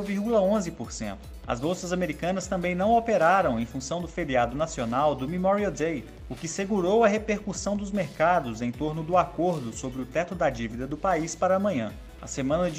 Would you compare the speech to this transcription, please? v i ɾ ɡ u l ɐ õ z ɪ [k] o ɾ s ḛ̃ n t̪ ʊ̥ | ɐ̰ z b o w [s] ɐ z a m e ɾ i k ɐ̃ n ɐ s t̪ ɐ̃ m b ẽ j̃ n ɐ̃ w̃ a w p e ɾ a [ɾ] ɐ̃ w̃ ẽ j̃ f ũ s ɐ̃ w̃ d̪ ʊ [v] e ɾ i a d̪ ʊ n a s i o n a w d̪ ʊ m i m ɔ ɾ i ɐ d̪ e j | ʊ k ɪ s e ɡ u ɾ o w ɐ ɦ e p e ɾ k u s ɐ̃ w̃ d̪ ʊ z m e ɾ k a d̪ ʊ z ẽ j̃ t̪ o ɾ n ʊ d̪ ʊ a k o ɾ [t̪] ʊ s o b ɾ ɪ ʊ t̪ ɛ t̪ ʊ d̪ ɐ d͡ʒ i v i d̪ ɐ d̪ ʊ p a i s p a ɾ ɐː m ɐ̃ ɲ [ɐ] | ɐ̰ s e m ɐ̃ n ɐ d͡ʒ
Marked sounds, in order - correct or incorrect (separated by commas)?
incorrect, correct, correct, incorrect, incorrect, incorrect